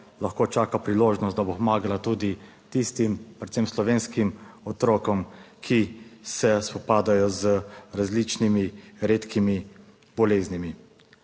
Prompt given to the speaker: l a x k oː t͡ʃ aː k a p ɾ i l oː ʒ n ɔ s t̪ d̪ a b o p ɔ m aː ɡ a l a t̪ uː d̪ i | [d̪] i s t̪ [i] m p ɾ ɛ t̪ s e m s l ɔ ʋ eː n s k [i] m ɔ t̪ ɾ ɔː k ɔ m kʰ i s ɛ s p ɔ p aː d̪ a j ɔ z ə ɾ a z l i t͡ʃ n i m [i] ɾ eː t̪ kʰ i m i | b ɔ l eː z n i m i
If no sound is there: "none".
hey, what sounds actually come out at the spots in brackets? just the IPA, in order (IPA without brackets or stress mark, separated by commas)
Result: t̪, i, i, i